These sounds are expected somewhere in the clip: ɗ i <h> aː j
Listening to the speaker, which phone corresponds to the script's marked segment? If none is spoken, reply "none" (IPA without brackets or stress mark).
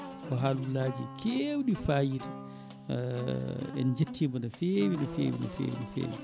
f